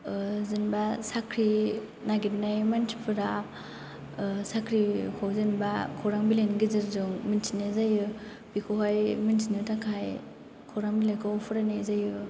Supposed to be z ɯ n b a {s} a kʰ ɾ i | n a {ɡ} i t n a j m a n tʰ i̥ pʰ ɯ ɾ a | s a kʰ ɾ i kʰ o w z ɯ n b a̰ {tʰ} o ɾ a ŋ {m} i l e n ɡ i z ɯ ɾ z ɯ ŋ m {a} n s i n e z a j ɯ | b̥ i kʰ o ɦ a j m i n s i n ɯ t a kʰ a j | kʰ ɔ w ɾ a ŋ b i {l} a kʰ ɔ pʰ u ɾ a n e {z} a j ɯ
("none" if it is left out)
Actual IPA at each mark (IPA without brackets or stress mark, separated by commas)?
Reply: s, ɡ, kʰ, b, i, l, z